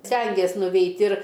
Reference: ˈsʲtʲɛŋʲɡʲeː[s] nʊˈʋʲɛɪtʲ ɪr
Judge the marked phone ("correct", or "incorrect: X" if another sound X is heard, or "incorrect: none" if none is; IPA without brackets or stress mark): correct